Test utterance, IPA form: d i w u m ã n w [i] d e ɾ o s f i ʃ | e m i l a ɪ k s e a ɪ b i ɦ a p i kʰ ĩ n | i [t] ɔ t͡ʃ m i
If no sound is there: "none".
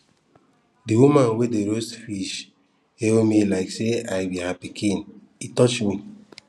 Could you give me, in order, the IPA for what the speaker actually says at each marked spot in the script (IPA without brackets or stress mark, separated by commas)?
e, t